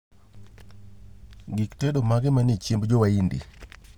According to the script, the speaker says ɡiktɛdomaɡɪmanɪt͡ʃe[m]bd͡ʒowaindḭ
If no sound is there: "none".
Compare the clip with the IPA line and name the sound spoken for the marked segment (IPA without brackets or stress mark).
m